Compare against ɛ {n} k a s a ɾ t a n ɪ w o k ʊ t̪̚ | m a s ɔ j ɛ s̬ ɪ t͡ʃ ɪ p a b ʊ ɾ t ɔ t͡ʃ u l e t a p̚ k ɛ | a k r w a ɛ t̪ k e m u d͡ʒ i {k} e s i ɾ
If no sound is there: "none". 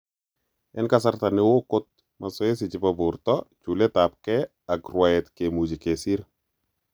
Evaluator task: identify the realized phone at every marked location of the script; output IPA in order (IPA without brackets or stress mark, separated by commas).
n, k